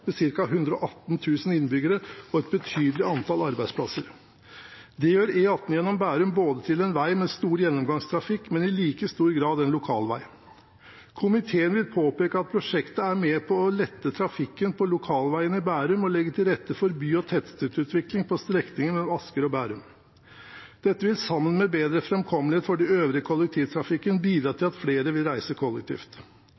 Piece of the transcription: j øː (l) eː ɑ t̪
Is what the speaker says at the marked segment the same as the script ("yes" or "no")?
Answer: no